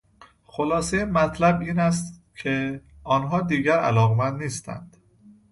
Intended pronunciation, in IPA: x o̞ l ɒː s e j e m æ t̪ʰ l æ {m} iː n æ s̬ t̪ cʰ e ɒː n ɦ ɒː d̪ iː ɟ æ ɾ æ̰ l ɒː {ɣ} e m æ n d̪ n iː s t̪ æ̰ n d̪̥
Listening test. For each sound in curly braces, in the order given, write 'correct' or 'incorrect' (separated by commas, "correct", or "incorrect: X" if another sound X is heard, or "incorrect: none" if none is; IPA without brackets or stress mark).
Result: incorrect: b, correct